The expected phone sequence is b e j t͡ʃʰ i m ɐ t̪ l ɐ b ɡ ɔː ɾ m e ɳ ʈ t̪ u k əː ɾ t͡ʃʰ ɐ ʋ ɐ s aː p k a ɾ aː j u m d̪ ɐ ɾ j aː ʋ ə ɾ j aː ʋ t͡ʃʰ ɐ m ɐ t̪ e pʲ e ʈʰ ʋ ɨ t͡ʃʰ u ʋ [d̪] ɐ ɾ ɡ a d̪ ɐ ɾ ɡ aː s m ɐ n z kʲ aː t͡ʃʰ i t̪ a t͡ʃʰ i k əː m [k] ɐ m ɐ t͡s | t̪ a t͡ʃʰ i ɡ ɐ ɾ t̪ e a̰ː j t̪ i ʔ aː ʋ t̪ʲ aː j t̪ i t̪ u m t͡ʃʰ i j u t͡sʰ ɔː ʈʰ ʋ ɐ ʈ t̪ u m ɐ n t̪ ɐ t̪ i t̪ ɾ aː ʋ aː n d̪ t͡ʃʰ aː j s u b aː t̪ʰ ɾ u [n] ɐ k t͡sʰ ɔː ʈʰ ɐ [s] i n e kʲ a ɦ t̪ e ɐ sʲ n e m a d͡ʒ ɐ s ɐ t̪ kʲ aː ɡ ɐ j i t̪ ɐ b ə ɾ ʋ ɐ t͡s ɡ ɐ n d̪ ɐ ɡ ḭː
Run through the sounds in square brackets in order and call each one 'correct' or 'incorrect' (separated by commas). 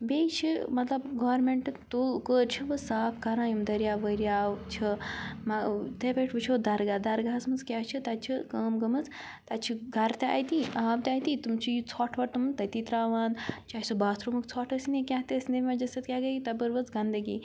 correct, incorrect, incorrect, correct